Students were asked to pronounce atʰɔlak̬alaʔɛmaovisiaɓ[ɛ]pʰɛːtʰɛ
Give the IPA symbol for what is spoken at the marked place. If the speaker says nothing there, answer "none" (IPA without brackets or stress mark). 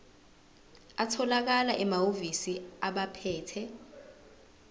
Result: a